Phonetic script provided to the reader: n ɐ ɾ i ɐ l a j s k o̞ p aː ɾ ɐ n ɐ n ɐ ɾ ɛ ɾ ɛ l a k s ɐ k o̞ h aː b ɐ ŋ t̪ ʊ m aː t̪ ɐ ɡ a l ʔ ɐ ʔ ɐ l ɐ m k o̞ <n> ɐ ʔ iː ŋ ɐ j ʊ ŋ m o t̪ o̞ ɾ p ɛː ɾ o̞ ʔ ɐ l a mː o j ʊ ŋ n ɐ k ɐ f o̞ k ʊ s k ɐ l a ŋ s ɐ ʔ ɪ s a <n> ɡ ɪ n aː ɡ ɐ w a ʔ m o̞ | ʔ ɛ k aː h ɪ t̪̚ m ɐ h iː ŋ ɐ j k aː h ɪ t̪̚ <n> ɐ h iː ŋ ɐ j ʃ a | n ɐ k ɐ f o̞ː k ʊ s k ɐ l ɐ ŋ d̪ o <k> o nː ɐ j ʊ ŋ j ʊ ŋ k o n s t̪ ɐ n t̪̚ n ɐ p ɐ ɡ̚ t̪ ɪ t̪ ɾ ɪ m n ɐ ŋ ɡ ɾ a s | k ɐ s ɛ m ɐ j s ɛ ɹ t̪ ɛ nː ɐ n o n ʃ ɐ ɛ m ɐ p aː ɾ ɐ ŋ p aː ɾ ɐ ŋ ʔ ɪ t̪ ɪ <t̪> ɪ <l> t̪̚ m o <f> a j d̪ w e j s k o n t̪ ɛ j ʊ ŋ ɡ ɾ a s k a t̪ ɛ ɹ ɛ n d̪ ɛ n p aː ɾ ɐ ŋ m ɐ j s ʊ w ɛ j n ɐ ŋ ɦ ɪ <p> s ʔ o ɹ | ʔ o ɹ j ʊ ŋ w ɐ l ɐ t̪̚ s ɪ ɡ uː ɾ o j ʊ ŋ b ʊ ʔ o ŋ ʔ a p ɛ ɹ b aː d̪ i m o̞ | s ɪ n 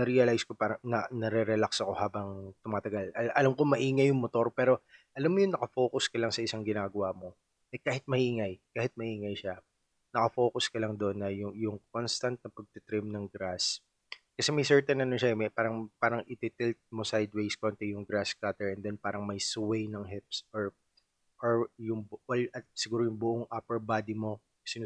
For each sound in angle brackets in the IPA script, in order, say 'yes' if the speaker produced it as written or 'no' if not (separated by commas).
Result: no, no, no, no, yes, yes, no, yes